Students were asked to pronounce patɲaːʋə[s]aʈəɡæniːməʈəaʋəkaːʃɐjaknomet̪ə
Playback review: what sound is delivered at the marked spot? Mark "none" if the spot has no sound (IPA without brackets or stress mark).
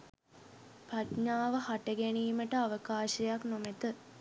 h